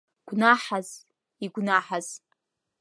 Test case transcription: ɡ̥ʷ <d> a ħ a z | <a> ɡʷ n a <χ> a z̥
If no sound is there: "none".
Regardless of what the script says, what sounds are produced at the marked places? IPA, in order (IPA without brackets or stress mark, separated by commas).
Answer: n, i, ħ